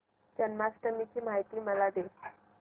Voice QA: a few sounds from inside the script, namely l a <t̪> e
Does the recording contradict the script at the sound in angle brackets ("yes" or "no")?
yes